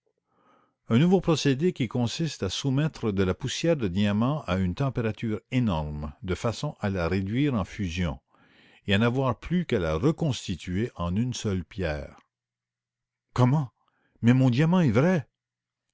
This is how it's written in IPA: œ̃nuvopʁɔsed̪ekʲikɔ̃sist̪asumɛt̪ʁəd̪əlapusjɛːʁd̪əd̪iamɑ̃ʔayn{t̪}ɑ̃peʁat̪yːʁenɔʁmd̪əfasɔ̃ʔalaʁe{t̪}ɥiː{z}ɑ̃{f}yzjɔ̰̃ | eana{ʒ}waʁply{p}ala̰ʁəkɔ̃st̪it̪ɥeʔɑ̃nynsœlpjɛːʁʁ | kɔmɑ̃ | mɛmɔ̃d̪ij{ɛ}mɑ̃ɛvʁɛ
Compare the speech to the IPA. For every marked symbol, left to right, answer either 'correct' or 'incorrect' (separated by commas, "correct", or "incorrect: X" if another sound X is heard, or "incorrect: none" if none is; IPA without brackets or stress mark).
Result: correct, incorrect: d̪, incorrect: ʁ, correct, incorrect: v, incorrect: k, incorrect: a